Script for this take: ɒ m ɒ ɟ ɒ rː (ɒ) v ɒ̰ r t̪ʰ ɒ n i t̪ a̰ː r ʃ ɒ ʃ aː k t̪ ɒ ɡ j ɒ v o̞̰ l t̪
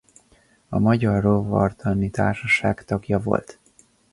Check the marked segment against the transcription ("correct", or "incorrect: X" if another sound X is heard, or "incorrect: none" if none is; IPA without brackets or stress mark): incorrect: o